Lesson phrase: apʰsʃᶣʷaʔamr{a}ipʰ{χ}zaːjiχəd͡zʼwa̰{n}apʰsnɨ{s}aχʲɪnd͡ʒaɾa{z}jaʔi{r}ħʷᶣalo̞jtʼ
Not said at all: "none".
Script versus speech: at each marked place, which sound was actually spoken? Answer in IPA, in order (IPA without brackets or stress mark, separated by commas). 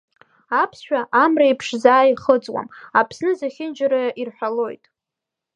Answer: a, ʂ, m, z, none, r